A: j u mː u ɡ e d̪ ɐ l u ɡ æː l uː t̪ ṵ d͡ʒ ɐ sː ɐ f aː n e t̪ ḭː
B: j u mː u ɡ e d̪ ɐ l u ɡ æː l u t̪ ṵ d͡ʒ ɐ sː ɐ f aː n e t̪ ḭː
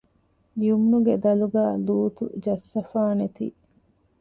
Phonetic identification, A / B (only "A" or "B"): A